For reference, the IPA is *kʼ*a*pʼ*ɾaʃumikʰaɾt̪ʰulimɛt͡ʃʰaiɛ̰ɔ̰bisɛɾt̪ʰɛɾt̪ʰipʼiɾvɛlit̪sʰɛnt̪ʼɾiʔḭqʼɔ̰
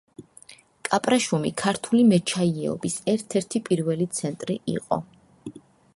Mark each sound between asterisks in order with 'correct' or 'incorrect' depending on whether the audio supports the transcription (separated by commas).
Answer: correct, correct